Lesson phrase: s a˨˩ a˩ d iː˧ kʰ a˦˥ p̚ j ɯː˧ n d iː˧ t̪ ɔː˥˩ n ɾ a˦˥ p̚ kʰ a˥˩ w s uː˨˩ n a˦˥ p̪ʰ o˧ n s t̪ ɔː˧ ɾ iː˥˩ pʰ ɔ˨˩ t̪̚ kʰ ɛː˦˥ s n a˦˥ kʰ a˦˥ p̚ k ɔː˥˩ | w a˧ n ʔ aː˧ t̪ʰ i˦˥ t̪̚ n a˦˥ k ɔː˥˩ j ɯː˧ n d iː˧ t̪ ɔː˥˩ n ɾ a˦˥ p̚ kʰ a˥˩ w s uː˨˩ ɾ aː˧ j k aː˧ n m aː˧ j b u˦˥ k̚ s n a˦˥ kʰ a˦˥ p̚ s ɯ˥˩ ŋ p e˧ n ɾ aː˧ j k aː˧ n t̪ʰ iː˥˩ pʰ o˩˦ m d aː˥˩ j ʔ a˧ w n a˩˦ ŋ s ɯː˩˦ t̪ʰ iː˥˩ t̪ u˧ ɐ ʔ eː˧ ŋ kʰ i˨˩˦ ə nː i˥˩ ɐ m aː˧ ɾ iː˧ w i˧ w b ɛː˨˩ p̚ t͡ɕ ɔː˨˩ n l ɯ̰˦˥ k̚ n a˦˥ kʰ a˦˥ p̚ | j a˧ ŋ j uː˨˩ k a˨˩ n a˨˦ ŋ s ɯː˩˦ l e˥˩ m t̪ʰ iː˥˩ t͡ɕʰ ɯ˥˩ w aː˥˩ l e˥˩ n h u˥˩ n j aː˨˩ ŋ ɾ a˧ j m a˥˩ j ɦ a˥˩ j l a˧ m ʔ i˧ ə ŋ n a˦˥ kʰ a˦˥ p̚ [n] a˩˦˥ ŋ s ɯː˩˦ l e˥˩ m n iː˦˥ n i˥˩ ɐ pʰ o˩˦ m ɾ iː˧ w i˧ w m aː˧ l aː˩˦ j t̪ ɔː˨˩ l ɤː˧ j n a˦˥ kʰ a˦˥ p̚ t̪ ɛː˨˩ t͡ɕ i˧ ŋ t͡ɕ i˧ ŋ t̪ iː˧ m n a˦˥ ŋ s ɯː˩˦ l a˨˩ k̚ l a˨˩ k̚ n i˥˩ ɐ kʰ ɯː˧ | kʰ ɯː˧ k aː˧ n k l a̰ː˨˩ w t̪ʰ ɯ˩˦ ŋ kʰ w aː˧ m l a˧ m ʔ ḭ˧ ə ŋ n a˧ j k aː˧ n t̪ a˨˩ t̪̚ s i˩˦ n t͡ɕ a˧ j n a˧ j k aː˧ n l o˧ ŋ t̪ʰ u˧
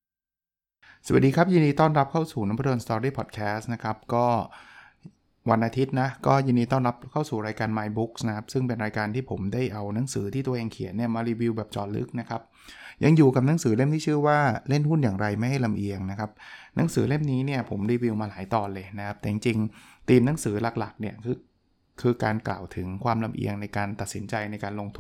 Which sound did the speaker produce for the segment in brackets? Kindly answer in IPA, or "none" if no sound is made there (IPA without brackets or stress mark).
n